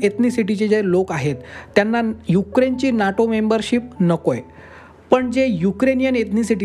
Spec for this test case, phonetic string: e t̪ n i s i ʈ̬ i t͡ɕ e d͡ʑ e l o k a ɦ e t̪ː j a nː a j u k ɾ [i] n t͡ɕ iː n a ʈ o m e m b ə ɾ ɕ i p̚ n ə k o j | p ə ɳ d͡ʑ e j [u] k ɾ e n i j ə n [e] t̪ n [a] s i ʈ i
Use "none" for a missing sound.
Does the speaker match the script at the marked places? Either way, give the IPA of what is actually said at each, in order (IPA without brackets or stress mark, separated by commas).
e, u, e, i